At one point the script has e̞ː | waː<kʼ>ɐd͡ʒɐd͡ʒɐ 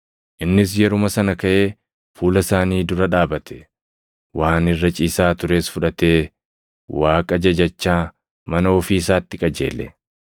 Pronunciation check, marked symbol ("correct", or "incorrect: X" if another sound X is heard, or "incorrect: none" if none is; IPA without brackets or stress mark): correct